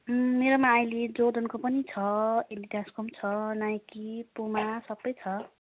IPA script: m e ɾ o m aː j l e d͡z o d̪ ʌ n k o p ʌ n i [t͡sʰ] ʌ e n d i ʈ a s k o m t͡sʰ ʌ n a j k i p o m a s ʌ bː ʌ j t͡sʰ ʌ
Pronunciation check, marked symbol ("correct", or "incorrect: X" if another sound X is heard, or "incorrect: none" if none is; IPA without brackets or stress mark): correct